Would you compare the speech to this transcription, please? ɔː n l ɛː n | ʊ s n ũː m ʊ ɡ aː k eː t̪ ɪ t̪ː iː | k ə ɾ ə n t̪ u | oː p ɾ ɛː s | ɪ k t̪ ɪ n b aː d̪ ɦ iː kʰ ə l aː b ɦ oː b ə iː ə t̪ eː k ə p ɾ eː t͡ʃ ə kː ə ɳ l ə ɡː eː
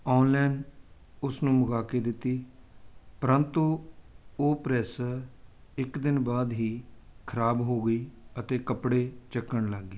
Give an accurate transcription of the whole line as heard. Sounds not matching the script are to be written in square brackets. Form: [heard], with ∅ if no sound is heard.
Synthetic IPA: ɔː n l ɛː n | ʊ s n ũː m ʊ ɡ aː k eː [d̪] ɪ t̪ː iː | [p] ə ɾ ə n t̪ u | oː p ɾ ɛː s | ɪ k [d̪] ɪ n b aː d̪ ɦ iː kʰ ə [ɾ] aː b ɦ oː [ɡ] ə iː ə t̪ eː k ə p [ɽ] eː t͡ʃ ə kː ə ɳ l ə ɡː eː